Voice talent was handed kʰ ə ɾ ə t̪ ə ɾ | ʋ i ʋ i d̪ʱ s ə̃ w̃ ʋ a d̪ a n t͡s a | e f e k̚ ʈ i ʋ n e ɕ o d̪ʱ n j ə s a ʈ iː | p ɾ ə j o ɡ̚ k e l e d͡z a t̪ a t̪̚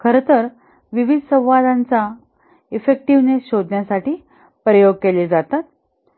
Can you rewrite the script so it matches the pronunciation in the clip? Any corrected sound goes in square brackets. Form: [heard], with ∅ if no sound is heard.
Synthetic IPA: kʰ ə ɾ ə t̪ ə ɾ | ʋ i ʋ i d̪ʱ s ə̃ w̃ ʋ a d̪ a n t͡s a | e f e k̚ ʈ i ʋ n e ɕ o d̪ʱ n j [a] s a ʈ iː | p ɾ ə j o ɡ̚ k e l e d͡z a t̪ a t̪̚